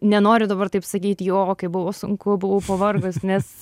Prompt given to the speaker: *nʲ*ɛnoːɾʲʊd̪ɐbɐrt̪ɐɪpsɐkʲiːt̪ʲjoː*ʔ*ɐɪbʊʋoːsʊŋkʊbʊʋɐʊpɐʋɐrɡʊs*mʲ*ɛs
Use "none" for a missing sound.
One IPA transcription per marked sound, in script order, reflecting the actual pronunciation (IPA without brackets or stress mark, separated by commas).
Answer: nʲ, k, nʲ